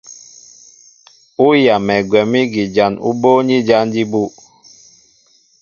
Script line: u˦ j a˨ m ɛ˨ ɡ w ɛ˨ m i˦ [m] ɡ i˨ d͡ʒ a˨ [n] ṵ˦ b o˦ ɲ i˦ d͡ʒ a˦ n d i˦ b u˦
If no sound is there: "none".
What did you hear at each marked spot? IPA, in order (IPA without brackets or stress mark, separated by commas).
none, n